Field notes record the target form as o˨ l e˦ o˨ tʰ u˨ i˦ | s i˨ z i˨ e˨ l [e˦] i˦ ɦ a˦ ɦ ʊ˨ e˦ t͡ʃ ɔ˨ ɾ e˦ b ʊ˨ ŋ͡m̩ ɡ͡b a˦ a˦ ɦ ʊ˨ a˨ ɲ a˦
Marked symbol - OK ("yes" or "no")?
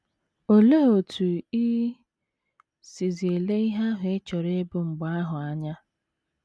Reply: yes